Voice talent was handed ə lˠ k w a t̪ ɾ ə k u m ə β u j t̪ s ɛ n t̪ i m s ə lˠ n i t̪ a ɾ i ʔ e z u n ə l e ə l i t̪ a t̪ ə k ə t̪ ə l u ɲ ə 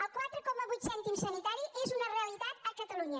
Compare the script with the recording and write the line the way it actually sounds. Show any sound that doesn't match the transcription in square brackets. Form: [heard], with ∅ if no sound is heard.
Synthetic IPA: ə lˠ k w a t̪ ɾ ə k [ɔ] m ə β u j t̪ s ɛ n t̪ i m s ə [∅] n i t̪ a ɾ i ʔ e z u n ə [r] e ə l i t̪ a t̪ ə k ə t̪ ə l u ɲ ə